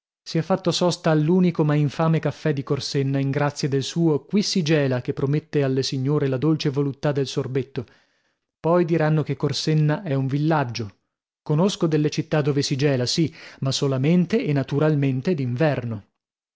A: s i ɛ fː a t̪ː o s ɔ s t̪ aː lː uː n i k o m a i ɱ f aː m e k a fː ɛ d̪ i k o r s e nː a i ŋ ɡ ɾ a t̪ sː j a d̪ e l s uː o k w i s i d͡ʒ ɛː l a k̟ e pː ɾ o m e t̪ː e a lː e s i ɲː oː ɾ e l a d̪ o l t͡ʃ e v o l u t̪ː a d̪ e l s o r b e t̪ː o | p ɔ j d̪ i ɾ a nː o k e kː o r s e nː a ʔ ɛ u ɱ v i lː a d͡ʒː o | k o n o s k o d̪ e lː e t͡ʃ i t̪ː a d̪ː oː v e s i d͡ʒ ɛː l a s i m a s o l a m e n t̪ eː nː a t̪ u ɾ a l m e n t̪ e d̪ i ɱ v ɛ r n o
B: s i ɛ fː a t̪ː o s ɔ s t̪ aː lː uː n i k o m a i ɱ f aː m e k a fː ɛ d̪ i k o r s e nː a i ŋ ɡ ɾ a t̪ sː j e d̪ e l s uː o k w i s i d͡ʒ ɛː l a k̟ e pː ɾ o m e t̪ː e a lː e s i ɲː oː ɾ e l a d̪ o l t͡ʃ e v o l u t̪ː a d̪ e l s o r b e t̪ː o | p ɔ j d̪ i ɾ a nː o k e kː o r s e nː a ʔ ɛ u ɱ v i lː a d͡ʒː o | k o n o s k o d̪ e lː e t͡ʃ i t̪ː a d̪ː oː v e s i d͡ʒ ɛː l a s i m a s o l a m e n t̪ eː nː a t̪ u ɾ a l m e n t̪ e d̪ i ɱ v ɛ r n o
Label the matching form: A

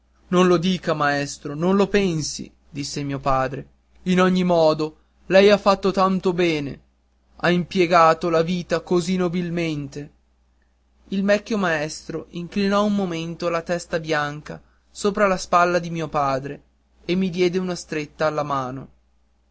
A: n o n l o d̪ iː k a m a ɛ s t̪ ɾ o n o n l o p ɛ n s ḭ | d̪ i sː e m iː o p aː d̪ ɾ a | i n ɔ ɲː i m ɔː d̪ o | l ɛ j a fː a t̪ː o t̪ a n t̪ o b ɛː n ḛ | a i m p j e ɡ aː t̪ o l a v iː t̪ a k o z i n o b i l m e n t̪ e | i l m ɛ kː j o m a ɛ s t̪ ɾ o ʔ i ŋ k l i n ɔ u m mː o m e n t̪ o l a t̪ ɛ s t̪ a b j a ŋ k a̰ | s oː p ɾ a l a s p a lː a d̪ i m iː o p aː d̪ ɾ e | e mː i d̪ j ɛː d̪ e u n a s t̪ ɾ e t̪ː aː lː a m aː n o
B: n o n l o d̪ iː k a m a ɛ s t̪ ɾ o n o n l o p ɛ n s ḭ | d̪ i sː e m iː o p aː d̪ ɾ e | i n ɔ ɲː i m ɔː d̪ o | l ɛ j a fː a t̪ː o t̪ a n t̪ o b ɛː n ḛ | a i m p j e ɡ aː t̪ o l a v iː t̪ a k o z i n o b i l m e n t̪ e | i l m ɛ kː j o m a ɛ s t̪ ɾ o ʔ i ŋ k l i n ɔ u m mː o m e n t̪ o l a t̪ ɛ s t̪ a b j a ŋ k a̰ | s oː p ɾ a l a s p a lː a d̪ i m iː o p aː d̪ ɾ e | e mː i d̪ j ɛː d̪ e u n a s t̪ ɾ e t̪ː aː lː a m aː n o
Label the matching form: B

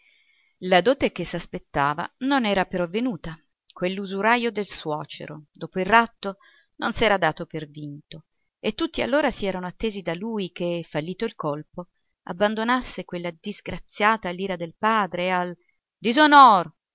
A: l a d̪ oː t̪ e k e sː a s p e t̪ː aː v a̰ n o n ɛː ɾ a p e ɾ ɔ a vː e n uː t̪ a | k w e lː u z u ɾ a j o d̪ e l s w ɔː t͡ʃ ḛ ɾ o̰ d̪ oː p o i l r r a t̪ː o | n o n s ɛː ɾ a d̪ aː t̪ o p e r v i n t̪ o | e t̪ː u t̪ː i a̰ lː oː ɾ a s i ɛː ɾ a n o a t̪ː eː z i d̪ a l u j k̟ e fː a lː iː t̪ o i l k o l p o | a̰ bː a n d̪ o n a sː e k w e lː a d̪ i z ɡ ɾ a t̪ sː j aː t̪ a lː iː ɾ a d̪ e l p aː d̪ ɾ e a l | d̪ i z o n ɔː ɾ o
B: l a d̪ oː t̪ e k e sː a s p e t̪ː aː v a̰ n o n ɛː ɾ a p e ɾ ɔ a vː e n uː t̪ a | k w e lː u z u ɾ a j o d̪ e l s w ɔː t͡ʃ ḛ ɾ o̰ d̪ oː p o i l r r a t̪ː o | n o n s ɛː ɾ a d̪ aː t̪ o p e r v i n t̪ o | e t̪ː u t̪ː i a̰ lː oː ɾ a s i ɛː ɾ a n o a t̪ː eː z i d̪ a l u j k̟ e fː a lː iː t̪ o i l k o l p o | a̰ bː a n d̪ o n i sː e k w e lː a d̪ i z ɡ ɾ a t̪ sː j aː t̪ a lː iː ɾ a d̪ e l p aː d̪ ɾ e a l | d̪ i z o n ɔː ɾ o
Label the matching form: A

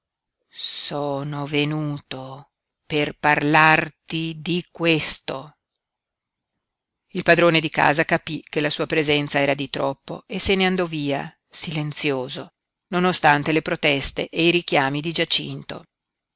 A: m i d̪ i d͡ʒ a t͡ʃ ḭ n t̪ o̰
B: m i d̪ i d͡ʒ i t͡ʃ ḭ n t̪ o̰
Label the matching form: A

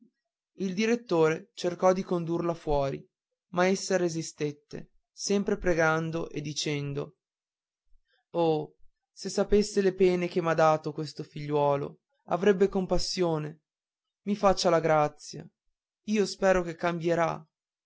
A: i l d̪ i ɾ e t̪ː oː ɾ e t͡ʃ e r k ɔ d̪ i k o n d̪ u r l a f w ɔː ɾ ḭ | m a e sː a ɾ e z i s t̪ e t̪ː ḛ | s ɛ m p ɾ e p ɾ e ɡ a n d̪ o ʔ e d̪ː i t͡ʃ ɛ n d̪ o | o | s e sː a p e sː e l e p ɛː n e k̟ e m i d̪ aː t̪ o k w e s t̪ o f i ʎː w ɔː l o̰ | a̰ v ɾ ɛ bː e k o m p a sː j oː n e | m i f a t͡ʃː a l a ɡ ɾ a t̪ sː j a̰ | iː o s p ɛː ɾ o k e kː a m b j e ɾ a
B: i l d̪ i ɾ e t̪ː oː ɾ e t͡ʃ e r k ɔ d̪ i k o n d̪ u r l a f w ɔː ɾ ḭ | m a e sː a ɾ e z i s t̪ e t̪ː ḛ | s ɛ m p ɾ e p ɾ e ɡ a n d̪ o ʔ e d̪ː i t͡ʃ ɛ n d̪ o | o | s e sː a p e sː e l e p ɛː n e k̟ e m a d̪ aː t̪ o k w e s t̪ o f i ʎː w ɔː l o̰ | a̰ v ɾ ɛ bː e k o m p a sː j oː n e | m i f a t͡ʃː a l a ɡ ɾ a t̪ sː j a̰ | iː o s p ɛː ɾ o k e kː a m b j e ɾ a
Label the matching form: B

